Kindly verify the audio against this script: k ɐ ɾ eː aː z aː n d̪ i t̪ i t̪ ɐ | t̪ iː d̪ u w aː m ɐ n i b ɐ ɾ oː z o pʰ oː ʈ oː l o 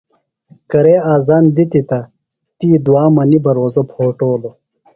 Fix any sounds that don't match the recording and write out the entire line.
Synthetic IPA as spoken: k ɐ ɾ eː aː z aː n d̪ i t̪ i t̪ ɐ | t̪ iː d̪ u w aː m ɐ n i b ɐ ɾ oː z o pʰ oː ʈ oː l o